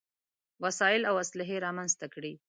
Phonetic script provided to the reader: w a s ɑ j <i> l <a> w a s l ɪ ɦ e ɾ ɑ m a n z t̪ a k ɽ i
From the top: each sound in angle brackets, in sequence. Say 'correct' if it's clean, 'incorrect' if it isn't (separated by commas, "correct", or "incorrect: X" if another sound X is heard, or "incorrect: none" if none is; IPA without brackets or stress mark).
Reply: incorrect: ɪ, correct